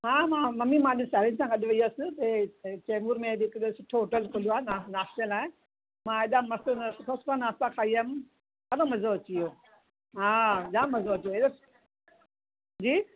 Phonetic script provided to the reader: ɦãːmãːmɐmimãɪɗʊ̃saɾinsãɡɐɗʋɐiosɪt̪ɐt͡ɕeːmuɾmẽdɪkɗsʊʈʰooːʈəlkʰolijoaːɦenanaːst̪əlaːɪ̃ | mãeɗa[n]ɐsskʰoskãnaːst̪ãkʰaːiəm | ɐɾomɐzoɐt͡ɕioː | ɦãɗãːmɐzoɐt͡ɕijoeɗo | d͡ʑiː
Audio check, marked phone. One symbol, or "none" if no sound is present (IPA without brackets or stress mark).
m